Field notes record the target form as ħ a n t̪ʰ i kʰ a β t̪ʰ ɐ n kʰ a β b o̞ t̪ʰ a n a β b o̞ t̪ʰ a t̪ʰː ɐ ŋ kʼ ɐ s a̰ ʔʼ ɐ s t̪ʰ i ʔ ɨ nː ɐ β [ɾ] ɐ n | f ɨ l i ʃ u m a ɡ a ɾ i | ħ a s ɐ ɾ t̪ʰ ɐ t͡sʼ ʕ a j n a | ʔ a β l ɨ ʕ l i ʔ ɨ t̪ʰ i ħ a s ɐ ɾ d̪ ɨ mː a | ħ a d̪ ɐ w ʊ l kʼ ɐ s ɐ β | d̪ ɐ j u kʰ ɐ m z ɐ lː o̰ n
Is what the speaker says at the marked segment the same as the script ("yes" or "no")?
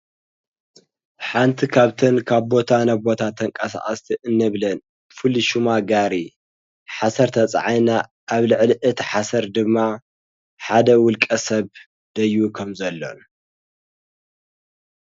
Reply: no